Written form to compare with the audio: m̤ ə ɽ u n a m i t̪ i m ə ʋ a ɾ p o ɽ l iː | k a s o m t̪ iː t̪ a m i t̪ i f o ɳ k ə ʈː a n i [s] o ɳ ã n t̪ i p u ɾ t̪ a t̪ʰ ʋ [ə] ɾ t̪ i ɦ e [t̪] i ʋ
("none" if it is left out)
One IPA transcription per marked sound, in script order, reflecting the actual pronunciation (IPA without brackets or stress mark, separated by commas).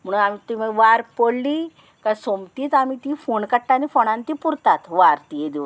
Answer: f, a, d̪